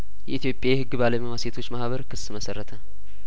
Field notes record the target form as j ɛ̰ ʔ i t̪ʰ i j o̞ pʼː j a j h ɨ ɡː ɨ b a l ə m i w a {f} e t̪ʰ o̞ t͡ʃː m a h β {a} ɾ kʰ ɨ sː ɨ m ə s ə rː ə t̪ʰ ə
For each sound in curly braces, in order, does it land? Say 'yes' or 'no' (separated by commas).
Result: no, no